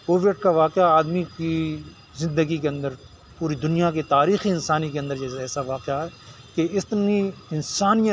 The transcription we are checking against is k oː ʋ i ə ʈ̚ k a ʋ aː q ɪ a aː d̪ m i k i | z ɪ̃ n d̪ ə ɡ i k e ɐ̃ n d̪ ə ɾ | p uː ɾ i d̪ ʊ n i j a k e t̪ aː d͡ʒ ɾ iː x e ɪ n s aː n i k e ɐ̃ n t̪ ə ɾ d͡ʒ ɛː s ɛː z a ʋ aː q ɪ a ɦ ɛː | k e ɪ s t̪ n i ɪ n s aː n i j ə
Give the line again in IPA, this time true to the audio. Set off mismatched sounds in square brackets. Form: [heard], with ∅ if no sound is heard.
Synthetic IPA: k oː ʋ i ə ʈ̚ k a ʋ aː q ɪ a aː d̪ m i k i | z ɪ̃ n d̪ ə ɡ i k e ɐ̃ n d̪ ə ɾ | p uː ɾ i d̪ ʊ n i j a k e t̪ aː [∅] ɾ iː x [i] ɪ n s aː n i k e ɐ̃ n [d̪] ə ɾ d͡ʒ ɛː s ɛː [s] a ʋ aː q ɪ a ɦ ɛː | k e ɪ s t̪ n i ɪ n s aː n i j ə